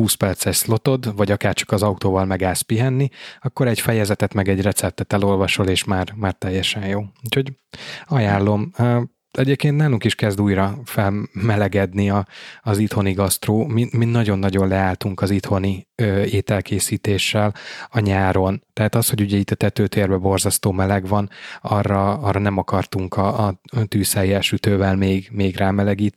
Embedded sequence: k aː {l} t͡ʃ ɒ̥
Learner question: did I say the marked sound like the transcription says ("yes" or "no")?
no